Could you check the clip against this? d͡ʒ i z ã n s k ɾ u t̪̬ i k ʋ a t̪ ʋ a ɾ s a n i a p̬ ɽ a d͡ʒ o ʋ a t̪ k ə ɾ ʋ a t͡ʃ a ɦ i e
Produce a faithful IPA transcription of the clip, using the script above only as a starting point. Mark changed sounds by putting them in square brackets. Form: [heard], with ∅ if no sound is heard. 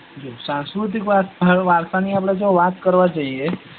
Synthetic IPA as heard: d͡ʒ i [s] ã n s k ɾ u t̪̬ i k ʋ a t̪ ʋ a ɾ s a n i a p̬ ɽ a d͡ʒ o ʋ a t̪ k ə ɾ ʋ a t͡ʃ a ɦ i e